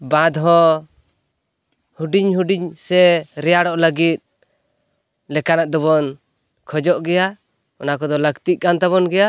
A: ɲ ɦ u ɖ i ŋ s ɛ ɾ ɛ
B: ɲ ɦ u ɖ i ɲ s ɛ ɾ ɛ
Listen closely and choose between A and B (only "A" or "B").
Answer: B